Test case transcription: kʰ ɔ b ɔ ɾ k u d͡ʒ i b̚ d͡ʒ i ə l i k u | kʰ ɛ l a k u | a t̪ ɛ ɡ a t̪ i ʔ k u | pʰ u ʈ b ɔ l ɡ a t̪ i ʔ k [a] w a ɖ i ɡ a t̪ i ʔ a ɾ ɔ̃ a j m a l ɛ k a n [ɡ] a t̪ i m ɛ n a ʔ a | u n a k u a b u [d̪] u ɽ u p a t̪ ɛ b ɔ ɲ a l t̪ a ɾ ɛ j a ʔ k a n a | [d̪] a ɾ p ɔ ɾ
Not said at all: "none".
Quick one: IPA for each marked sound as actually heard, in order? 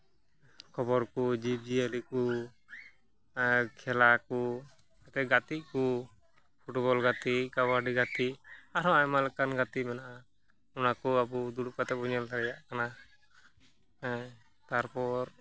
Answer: a, ɡ, d̪, t̪

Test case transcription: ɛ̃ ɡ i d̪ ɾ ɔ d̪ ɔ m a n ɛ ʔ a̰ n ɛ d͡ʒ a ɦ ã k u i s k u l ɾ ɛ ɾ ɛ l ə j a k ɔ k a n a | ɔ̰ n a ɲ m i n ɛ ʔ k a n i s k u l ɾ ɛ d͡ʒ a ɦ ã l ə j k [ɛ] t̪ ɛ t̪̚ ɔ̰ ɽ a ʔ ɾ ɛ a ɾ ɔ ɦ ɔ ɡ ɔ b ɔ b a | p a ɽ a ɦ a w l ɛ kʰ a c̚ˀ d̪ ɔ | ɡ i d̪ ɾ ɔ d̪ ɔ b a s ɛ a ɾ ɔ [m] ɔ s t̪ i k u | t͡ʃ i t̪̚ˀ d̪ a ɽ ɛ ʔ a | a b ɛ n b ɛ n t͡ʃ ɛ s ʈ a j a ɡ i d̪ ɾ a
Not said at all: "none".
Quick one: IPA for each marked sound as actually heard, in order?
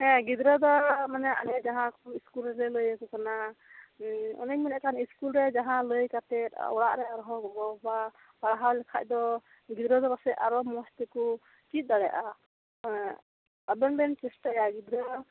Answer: a, m

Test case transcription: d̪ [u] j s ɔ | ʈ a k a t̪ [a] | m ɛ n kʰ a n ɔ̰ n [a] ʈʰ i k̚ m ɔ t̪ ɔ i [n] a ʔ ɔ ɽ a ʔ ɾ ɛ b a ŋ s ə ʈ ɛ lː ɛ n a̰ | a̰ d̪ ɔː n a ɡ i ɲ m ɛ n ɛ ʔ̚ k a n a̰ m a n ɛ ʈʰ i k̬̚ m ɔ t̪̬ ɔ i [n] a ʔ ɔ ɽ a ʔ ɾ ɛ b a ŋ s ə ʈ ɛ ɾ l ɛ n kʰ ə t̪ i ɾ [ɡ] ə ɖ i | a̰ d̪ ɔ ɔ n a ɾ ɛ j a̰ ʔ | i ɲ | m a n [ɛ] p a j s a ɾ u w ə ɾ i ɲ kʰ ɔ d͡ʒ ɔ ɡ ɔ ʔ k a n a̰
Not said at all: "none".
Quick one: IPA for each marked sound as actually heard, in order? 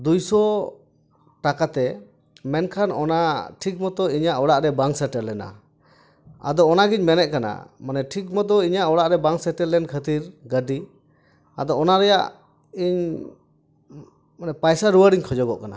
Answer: u, ɛ, a, ɲ, ɲ, ɡ, ɛ

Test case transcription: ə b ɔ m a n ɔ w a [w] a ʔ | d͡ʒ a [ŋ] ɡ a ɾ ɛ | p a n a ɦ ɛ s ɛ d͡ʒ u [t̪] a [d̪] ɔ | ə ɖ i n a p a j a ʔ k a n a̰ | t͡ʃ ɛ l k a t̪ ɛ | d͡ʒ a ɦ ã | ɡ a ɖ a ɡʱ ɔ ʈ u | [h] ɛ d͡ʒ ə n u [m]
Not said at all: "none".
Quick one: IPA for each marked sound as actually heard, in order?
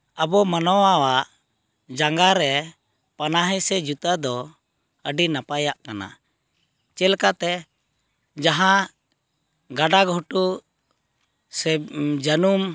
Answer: w, ŋ, t̪, d̪, s, m

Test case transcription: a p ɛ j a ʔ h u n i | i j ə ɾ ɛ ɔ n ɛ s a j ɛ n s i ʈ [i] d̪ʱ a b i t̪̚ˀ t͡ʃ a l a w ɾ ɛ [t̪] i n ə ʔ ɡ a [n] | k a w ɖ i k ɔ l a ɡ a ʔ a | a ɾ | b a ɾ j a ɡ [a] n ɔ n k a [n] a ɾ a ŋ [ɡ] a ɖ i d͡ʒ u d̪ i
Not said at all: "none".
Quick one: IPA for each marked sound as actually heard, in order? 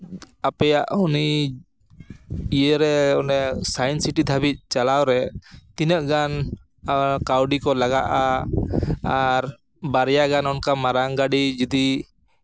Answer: i, t̪, n, a, m, ɡ

